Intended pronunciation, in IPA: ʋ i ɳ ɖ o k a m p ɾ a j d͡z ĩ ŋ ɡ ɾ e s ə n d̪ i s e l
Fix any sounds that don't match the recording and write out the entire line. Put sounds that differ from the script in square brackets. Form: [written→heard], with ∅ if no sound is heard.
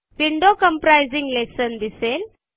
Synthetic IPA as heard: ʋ i ɳ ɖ o k [a→ə] m p ɾ a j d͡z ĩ ŋ ɡ [ɾ→l] e s ə n d̪ i s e l